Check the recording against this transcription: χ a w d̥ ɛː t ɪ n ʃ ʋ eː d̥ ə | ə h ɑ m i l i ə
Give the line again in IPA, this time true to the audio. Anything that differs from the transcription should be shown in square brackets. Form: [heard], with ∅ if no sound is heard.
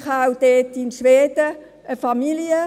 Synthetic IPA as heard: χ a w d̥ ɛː t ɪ n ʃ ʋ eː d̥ ə | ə [f] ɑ m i l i ə